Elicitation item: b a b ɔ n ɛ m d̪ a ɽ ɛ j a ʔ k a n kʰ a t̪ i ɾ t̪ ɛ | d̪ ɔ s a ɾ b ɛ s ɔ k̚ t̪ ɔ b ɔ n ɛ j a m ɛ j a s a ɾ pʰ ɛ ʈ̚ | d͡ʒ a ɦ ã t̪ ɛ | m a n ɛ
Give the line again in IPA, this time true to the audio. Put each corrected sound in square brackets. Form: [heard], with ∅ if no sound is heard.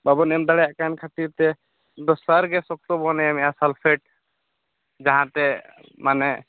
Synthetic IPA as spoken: b a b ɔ n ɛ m d̪ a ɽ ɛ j a ʔ k a n kʰ a t̪ i ɾ t̪ ɛ | d̪ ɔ s a ɾ [ɡ] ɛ s ɔ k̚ t̪ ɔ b ɔ n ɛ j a m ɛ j a s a [l] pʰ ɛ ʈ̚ | d͡ʒ a ɦ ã t̪ ɛ | m a n ɛ